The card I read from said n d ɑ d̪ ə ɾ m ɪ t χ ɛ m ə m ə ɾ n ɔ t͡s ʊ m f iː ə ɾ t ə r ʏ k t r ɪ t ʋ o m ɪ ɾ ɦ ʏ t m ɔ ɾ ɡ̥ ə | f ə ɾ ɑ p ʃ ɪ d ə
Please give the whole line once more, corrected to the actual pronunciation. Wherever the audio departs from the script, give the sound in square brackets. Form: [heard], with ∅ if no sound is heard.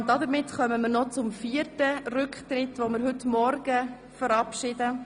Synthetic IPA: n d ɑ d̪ ə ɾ m ɪ t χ [œ] m ə m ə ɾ n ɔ t͡s ʊ m f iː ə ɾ t ə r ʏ k t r ɪ t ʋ o m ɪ ɾ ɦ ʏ t m ɔ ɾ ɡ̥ ə | f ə ɾ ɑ p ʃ ɪ d ə